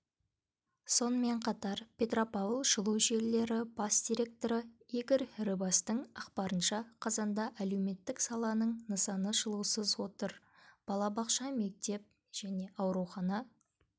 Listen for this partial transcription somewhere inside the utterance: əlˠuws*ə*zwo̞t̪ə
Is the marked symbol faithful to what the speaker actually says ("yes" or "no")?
yes